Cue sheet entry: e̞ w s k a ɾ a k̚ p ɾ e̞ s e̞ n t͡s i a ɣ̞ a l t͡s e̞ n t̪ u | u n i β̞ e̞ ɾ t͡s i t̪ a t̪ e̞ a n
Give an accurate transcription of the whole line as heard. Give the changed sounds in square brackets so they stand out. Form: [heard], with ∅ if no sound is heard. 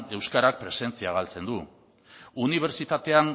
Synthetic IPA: e̞ w s k a ɾ a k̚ p ɾ e̞ s e̞ n t͡s i a ɣ̞ a l t͡s e̞ n [d̪] u | u n i β̞ e̞ ɾ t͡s i t̪ a t̪ e̞ a n